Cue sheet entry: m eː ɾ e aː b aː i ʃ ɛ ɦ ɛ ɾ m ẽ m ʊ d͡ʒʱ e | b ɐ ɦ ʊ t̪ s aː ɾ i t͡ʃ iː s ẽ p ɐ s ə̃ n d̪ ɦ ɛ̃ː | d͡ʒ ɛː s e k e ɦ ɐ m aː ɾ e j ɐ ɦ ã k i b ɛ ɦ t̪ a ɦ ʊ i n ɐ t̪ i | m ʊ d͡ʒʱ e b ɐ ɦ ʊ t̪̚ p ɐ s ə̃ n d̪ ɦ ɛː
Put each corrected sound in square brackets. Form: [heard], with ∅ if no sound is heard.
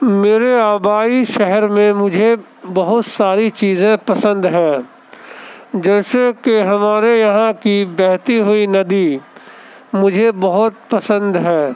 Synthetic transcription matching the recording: m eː ɾ e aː b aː i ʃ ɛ ɦ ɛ ɾ m ẽ m ʊ d͡ʒʱ e | b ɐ ɦ ʊ t̪ s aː ɾ i t͡ʃ iː [z] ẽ p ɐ s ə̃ n d̪ ɦ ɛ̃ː | d͡ʒ ɛː s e k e ɦ ɐ m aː ɾ e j ɐ ɦ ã k i b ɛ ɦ t̪ [i] ɦ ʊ i n ɐ [d̪] i | m ʊ d͡ʒʱ e b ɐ ɦ ʊ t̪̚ p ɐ s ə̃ n d̪ ɦ ɛː